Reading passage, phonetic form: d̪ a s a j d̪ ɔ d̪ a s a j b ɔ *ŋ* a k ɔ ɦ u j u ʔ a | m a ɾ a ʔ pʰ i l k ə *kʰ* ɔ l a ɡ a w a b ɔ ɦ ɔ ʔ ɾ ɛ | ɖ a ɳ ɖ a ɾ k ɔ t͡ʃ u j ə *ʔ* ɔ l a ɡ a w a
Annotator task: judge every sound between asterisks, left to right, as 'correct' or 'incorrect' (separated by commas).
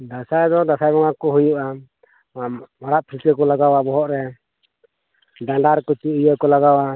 correct, incorrect, incorrect